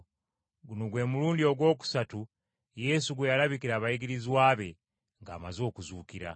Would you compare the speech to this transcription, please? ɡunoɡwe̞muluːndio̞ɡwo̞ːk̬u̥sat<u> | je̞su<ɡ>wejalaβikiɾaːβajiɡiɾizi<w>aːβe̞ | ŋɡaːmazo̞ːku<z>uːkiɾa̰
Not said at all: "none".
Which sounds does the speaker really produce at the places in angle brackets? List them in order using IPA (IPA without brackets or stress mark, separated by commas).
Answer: u, ɡ, w, z